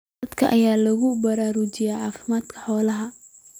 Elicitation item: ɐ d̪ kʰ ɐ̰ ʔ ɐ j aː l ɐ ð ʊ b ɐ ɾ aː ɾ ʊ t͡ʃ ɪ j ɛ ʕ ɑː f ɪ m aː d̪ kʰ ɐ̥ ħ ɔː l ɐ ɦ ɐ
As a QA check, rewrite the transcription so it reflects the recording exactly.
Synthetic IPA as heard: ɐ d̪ kʰ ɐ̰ ʔ ɐ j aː l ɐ ɣ ʊ b ɐ ɾ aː ɾ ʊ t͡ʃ ɪ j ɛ ʕ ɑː f ɪ m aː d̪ kʰ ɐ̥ ħ ɔː l ɐ ɦ ɐ